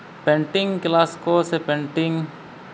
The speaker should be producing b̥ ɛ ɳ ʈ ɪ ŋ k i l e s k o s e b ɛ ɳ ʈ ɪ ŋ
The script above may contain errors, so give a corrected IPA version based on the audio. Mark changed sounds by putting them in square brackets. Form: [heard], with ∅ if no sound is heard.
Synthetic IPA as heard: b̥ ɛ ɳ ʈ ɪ ŋ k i l [a] s k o s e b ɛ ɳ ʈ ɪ ŋ